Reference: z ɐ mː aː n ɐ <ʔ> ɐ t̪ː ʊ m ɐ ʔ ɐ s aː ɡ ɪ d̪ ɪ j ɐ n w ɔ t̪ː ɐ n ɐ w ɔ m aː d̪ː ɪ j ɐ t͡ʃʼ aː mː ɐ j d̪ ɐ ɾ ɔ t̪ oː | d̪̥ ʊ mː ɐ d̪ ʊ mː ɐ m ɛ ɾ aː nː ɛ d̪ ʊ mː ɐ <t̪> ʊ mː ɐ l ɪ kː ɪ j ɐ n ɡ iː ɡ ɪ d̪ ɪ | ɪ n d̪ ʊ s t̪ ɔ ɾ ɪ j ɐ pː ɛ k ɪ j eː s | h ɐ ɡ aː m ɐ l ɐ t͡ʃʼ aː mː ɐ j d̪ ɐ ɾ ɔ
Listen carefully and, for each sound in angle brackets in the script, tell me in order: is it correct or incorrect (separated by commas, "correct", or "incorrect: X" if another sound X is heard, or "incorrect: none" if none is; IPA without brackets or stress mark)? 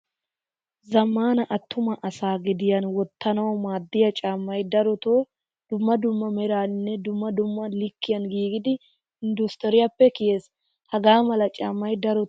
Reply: correct, incorrect: d̪